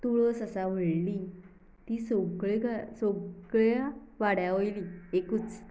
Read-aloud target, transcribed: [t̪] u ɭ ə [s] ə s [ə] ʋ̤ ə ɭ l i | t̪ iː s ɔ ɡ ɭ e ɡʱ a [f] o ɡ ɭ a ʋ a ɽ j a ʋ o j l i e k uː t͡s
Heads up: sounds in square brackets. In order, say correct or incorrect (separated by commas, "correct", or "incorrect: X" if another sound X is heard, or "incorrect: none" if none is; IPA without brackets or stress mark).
correct, correct, incorrect: a, incorrect: s